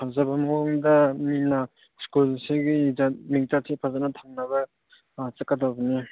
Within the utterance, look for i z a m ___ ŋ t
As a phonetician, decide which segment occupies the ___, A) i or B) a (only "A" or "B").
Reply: A